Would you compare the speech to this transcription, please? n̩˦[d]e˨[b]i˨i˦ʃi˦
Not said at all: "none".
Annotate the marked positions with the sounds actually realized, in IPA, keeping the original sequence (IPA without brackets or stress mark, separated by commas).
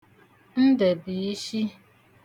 d, b